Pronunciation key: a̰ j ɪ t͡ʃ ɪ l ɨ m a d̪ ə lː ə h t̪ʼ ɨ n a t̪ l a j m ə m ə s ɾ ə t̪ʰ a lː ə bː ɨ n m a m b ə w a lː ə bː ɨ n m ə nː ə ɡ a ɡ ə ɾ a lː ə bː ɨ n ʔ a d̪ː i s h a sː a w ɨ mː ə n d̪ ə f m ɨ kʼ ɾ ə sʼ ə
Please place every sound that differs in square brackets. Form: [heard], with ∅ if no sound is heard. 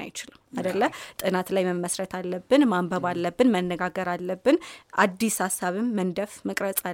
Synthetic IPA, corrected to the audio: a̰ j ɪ t͡ʃ ɪ l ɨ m a d̪ ə lː ə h t̪ʼ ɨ n a t̪ l a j m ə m ə s ɾ ə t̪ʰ a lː ə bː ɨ n m a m b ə [β] a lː ə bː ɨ n m ə nː ə ɡ a ɡ ə ɾ a lː ə bː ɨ n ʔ a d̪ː i s h a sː a [β] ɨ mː ə n d̪ ə f m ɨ kʼ ɾ ə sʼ [a]